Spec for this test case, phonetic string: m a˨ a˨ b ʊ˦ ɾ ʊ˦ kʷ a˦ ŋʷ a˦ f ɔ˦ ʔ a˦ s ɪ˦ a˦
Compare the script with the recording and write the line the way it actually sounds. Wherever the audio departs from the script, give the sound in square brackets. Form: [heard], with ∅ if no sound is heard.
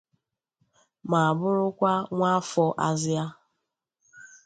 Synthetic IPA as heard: m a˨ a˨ b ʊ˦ ɾ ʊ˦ kʷ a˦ ŋʷ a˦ f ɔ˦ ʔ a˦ [z] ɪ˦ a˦